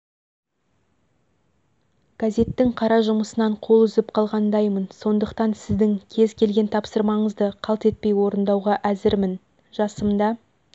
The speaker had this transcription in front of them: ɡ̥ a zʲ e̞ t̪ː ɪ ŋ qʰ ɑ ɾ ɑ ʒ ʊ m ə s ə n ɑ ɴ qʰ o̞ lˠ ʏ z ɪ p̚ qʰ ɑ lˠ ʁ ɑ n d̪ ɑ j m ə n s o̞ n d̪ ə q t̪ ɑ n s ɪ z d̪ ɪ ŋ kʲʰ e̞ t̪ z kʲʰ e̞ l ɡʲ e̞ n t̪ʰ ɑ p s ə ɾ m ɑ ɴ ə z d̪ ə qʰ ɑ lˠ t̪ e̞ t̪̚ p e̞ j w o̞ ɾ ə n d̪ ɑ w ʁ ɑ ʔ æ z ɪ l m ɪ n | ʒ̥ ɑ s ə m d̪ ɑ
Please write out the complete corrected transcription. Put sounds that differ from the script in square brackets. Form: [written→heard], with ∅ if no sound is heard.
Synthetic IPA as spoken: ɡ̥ a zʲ e̞ t̪ː ɪ ŋ qʰ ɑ ɾ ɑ ʒ ʊ m ə s ə n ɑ ɴ qʰ o̞ lˠ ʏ z ɪ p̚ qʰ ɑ lˠ ʁ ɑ n d̪ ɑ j m ə n s o̞ n d̪ ə q t̪ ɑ n s ɪ z d̪ ɪ ŋ kʲʰ e̞ [t̪→∅] z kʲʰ e̞ l ɡʲ e̞ n t̪ʰ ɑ p s ə ɾ m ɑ ɴ ə z d̪ ə qʰ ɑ lˠ t̪ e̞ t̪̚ p e̞ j w o̞ ɾ ə n d̪ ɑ w ʁ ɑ ʔ æ z ɪ [l→ɾ] m ɪ n | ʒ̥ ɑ s ə m d̪ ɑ